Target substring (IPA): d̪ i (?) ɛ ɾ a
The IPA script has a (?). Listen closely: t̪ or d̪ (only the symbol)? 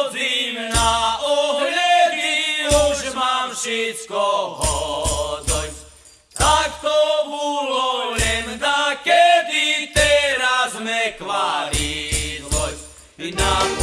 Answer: t̪